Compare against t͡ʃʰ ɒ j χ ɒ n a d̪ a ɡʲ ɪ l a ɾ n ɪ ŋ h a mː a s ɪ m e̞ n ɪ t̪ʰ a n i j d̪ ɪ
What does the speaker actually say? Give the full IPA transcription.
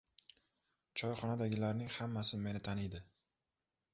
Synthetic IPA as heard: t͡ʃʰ ɒ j χ ɒ n a d̪ a ɡʲ ɪ l a ɾ n ɪ ŋ h a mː a s ɪ m e̞ n ɪ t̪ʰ a n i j d̪ ɪ